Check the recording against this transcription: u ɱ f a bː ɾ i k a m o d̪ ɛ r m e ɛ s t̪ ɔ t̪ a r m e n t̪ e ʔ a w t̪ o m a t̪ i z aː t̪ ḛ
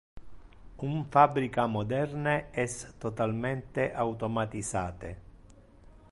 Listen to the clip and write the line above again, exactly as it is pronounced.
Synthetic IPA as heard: u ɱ f a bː ɾ i k a m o d̪ ɛ r n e ɛ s t̪ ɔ t̪ a l m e n t̪ e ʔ a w t̪ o m a t̪ i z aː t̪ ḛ